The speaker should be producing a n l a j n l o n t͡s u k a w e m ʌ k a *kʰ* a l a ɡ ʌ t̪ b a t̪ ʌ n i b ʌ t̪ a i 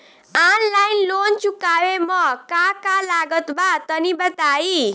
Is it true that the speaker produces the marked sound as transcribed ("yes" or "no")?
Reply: no